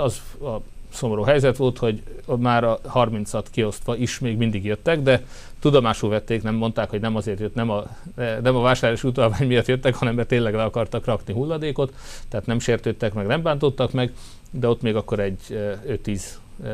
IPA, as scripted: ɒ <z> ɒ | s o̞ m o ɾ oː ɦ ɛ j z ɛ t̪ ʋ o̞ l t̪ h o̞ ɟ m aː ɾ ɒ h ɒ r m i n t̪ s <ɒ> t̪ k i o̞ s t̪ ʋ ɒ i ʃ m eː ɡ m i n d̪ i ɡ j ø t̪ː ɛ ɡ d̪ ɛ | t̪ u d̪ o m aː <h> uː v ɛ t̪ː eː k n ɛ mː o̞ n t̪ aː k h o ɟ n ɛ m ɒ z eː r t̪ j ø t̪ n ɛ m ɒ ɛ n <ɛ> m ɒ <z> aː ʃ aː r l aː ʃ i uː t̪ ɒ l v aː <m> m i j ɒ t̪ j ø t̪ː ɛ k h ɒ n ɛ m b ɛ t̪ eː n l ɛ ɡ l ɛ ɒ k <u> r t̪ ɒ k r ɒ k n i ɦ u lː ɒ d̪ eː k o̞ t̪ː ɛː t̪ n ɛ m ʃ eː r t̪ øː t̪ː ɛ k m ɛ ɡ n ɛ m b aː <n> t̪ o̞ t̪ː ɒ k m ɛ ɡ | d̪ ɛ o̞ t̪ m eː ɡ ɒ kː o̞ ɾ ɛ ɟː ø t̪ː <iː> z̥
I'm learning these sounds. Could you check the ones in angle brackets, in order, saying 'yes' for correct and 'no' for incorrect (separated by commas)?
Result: yes, yes, no, yes, no, no, no, yes, yes